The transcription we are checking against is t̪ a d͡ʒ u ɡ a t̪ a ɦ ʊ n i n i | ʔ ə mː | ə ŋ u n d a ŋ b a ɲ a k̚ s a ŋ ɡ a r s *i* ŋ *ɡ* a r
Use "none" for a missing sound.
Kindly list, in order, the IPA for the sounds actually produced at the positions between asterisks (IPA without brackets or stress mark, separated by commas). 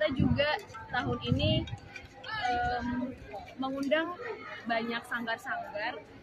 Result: a, ɡ